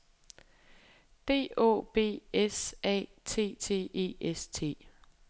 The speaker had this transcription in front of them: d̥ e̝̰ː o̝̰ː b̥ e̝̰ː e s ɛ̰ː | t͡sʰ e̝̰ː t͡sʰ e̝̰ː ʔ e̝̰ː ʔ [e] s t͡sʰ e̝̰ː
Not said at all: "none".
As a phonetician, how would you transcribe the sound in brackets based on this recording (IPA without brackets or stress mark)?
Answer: e